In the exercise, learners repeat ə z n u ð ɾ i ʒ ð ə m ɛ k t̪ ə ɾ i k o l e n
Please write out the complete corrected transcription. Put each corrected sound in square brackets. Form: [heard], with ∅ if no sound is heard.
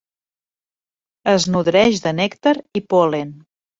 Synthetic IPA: ə z n u ð ɾ [ɛ] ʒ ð ə [n] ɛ k t̪ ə ɾ i [p] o l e n

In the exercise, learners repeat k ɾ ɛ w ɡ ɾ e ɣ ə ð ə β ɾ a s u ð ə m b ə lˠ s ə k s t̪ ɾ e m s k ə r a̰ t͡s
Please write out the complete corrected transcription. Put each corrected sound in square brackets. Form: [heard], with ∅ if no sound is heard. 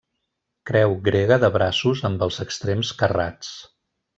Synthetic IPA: k ɾ ɛ w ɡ ɾ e ɣ ə ð ə β ɾ a s u [z] ə m b ə lˠ [z] ə k s t̪ ɾ e m s k ə r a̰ t͡s

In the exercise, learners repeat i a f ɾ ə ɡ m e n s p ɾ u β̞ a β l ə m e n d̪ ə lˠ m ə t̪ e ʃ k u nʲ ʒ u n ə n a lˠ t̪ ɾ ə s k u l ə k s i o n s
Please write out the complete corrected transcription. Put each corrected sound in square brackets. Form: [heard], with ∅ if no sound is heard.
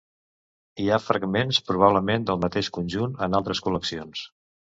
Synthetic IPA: i a f ɾ ə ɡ m e n s p ɾ u β̞ a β l ə m e n d̪ ə lˠ m ə t̪ e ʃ k u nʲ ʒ u n ə n a lˠ t̪ ɾ ə s k u l ə k s i o n s

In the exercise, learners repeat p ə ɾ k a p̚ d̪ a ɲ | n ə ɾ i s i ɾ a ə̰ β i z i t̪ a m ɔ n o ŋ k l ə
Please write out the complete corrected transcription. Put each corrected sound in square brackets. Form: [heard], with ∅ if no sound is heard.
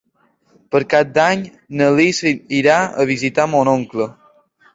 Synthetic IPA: p ə ɾ k a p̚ d̪ a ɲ | n ə [l] i s i ɾ a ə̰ β i z i t̪ a m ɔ n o ŋ k l ə

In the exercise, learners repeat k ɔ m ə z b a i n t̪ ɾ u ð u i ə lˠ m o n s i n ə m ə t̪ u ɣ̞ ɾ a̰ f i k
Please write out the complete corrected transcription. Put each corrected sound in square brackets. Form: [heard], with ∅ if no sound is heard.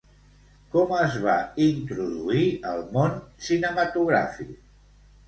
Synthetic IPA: k ɔ m ə z [β] a i n t̪ ɾ u ð u i ə lˠ m o n s i n ə m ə t̪ u ɣ̞ ɾ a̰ f i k

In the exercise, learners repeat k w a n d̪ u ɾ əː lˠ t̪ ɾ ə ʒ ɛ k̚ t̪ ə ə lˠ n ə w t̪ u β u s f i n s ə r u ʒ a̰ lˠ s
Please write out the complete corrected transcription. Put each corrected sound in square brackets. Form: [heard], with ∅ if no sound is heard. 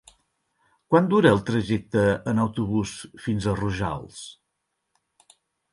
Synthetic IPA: k w a n d̪ u ɾ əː lˠ t̪ ɾ ə ʒ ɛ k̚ t̪ ə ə [∅] n ə w t̪ u β u s f i n [z] ə r u ʒ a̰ lˠ s

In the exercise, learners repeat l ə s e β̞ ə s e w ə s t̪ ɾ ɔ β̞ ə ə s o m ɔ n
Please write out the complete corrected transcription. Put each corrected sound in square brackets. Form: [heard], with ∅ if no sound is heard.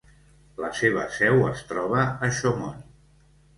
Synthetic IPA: l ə s e β̞ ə s [ɛ] w ə s t̪ ɾ ɔ β̞ ə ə [ʃ] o m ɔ n

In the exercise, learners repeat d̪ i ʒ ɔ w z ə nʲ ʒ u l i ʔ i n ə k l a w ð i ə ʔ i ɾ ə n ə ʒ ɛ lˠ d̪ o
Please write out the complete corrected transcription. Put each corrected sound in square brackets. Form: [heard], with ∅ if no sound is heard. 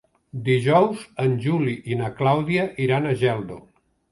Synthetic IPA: d̪ i ʒ ɔ w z ə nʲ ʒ u l i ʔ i n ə k l a w ð i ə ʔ i ɾ [a] n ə ʒ ɛ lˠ d̪ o

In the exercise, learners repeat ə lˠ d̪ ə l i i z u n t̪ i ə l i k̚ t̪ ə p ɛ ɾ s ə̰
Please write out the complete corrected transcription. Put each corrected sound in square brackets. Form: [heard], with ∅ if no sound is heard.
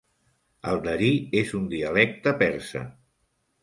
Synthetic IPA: ə lˠ d̪ ə [ɾ] i [e] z u n [d̪] i ə l [ɛ] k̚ t̪ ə p ɛ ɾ s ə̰

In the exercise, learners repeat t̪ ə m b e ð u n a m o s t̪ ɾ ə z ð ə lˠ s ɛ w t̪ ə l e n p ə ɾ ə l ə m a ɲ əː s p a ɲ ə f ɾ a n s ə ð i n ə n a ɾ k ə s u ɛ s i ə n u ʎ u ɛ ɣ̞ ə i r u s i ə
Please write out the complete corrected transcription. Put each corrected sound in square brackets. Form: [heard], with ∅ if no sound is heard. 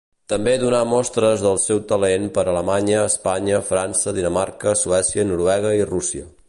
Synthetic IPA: t̪ ə m b e ð u n a m [ɔ] s t̪ ɾ ə z ð ə lˠ s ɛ w t̪ ə l e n p ə ɾ ə l ə m a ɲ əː s p a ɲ ə f ɾ a n s ə ð i n ə [m] a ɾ k ə s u ɛ s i ə n u [ɾ] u ɛ ɣ̞ ə i r u s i ə

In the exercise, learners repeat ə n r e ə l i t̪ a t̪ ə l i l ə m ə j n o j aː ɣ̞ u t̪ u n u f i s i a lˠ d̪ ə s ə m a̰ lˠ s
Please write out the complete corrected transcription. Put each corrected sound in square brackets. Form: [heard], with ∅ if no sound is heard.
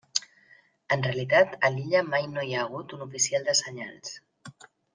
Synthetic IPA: ə n r e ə l i t̪ a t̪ ə l i [ʎ] ə m [a] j n o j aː ɣ̞ u t̪ u n u f i s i a lˠ d̪ ə s ə [ɲ] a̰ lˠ s

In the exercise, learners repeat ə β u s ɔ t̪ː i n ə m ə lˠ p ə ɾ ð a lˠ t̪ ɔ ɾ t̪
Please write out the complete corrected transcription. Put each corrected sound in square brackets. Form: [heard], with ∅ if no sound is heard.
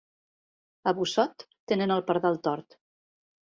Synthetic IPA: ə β u s ɔ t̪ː [e] n ə [n] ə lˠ p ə ɾ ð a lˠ t̪ ɔ ɾ t̪

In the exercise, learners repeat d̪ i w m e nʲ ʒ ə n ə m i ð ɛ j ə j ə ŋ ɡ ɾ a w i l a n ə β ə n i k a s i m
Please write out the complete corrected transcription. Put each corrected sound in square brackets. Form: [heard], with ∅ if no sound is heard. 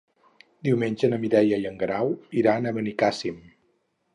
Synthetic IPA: d̪ i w m e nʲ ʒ ə n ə m i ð ɛ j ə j ə ŋ ɡ ɾ a w i [ɾ] a n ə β ə n i k a s i m

